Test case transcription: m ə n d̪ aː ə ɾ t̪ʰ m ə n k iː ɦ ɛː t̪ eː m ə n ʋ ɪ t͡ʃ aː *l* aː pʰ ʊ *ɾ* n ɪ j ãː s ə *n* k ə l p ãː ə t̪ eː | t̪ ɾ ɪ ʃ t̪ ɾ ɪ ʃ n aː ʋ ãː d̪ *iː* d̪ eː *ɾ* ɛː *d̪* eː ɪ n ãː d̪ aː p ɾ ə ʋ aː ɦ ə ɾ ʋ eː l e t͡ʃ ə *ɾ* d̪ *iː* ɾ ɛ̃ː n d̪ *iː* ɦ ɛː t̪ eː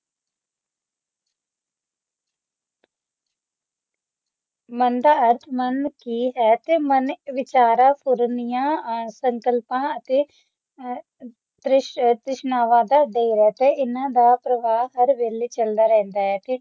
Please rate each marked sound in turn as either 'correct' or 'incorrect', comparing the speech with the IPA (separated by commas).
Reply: incorrect, correct, incorrect, incorrect, correct, incorrect, incorrect, incorrect, incorrect